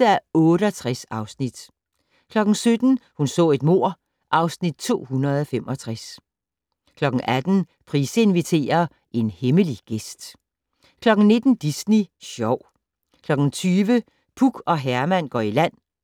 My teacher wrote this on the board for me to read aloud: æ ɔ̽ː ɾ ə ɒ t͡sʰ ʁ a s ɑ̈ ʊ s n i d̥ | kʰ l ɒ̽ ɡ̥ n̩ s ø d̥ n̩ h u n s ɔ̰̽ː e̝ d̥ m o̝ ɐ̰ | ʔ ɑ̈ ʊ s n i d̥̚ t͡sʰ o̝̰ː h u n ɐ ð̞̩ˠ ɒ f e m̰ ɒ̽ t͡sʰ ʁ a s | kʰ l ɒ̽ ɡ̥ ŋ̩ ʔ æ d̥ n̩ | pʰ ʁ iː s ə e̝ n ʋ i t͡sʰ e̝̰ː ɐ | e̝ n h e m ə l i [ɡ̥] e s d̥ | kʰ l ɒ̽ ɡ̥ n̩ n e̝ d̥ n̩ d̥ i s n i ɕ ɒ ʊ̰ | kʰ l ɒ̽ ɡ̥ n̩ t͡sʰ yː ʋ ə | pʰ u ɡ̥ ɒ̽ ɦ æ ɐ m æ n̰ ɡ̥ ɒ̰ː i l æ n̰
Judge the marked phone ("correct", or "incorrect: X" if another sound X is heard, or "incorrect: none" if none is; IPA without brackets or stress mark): correct